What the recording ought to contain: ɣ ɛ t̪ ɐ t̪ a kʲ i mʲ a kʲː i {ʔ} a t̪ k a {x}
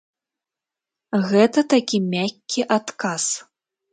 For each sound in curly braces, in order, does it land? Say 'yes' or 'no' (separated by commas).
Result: yes, no